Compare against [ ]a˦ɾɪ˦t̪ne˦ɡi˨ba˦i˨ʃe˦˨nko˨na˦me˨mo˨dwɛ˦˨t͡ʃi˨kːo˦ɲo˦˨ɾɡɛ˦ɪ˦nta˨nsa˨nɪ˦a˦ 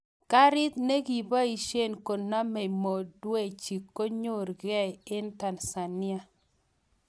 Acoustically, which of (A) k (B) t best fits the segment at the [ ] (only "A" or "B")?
A